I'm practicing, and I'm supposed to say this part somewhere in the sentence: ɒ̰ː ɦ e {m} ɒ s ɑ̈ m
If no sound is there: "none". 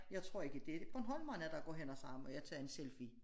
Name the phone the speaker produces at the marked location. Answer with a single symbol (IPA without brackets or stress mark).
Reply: n